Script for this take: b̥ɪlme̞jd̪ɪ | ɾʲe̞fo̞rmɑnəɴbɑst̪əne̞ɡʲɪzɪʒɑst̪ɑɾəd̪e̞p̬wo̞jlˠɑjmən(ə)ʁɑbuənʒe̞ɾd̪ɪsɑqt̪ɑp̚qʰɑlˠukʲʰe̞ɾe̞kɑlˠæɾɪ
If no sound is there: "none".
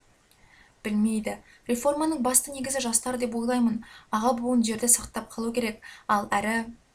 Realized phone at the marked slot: ɑ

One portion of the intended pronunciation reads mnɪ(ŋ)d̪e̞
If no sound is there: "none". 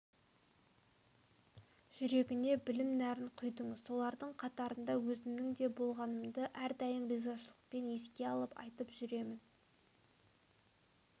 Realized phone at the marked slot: ŋ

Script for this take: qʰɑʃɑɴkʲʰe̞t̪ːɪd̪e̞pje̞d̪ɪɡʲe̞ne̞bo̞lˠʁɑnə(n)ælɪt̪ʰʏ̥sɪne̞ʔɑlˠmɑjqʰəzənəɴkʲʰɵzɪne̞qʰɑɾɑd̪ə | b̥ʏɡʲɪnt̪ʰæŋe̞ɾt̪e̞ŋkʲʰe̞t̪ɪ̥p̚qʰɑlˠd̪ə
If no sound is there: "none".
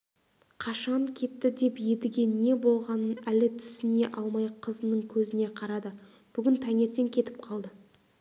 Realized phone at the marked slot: n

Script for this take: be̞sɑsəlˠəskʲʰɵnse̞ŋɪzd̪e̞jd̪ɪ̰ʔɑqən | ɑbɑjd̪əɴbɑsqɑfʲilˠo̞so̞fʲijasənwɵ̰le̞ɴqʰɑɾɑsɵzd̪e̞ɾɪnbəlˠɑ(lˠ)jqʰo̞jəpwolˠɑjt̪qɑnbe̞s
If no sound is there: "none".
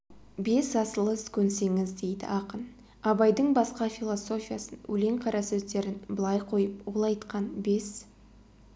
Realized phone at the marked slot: none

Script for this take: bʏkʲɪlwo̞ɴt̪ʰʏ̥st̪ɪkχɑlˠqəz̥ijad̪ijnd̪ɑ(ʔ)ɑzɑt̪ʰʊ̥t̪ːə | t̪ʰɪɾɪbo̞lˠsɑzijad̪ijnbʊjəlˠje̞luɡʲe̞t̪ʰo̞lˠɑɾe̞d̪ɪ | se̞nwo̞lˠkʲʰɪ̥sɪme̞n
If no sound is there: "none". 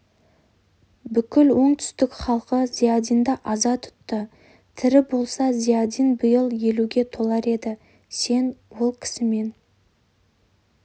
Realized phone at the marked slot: ʔ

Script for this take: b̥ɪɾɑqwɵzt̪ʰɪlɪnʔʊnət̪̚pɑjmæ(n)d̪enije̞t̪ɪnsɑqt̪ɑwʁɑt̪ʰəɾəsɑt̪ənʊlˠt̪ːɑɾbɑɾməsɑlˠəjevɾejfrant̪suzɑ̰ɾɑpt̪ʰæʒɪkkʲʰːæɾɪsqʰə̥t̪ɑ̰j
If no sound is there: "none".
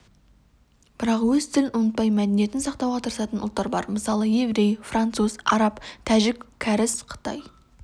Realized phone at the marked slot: none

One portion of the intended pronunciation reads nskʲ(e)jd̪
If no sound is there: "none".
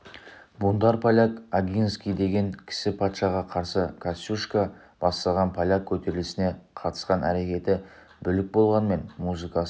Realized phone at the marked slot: i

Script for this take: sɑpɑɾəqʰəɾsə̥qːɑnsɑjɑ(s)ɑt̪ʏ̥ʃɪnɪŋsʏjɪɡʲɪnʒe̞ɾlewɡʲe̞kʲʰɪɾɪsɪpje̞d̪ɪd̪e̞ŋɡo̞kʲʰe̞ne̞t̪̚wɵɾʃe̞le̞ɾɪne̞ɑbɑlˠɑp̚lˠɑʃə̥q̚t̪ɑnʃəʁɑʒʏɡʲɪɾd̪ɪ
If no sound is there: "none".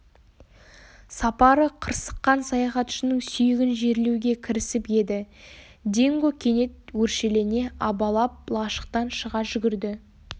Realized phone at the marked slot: χ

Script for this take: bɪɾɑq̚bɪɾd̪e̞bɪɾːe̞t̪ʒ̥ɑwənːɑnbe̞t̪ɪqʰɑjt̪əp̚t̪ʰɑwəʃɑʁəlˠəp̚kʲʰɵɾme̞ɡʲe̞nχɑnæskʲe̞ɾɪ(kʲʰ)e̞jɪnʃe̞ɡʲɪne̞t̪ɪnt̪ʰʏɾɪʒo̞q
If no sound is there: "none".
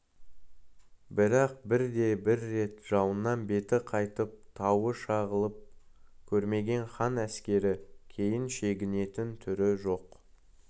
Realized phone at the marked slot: kʲʰ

